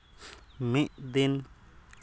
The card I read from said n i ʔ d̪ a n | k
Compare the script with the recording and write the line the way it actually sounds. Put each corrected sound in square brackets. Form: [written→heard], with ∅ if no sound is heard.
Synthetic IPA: [n→m] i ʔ d̪ [a→i] n | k